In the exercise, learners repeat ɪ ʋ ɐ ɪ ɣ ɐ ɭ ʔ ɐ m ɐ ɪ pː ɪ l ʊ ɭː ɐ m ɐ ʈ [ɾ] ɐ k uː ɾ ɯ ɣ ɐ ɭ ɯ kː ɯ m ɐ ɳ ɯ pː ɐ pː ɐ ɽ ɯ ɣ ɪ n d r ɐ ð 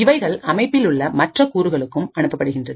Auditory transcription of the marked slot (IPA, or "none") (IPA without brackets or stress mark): r